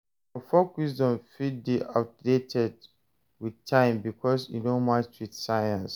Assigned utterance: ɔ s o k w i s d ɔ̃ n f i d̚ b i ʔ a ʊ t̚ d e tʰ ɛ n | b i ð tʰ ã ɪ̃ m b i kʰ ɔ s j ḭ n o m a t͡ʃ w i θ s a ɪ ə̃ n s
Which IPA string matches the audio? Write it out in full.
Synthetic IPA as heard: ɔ f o k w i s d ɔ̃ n f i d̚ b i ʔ a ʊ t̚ d e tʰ ɛ d | w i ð tʰ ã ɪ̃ m b i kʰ ɔ s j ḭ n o m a t͡ʃ w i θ s a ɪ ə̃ n s